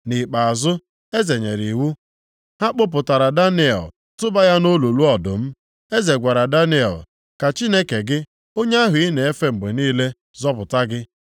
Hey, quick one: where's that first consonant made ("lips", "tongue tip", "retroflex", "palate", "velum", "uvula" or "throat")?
tongue tip